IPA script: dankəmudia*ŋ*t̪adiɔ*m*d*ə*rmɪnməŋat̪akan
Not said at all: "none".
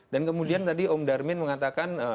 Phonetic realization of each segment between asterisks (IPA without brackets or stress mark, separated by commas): n, m, a